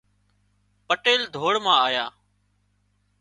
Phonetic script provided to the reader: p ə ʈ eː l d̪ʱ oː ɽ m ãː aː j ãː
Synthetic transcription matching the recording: p ə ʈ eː l d̪ʱ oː ɽ m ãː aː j aː

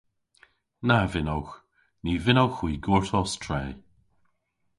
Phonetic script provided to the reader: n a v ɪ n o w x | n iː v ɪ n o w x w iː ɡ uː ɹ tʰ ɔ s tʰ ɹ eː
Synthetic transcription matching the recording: n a v ɪ n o w x | n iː v ɪ n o w x w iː ɡ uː ɹ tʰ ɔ s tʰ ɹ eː

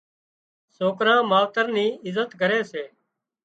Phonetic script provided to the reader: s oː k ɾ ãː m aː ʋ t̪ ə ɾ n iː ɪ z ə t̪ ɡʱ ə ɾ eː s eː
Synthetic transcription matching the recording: s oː k ɾ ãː m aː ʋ t̪ ə ɾ n iː ɪ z ə t̪ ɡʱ ə ɾ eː s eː

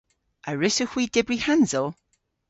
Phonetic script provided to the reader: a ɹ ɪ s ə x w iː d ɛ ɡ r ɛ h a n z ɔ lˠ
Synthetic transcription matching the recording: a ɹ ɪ s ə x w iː d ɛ b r i h a n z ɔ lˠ

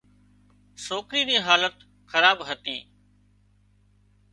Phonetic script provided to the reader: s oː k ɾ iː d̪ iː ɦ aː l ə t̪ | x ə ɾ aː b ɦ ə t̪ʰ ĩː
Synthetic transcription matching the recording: s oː k ɾ iː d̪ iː ɦ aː l ə t̪ | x ə ɾ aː b ɦ ə t̪ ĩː

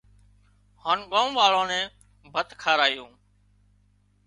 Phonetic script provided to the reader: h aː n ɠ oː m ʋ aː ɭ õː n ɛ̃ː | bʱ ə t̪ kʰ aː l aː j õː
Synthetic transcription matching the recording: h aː n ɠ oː m ʋ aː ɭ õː n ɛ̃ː | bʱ ə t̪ kʰ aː ɾ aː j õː

